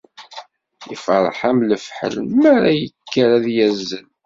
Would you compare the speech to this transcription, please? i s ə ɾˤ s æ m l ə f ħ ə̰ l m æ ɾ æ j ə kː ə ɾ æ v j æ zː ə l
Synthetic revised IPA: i f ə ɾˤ ħ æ m l ə f ħ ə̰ l m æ ɾ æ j ə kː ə ɾ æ ð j æ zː ə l